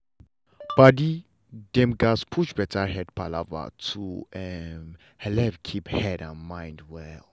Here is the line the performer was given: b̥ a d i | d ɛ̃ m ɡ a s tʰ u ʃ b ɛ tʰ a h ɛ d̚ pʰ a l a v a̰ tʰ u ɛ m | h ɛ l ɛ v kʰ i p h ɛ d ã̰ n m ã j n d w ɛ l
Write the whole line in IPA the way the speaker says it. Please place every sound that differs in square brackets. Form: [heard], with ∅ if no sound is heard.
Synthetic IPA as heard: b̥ a d i | d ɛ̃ m ɡ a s [pʰ] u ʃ b ɛ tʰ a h ɛ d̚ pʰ a l a v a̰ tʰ u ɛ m | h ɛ l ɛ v kʰ i p h ɛ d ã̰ n m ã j n d w ɛ l